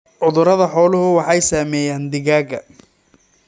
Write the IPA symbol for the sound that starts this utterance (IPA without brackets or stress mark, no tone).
ʕ